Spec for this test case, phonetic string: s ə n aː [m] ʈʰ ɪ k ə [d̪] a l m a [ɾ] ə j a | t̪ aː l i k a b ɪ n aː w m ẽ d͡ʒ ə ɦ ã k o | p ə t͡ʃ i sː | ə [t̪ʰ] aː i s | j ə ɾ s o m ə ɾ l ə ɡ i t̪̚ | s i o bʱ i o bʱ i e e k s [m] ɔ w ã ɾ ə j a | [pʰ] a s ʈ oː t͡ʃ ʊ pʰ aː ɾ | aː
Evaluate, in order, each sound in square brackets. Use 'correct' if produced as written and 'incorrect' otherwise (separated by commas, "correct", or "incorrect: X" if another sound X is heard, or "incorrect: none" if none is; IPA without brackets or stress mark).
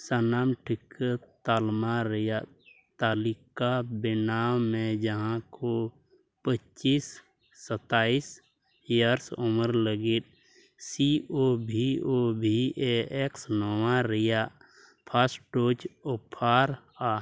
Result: correct, incorrect: t̪, correct, incorrect: t̪, incorrect: n, correct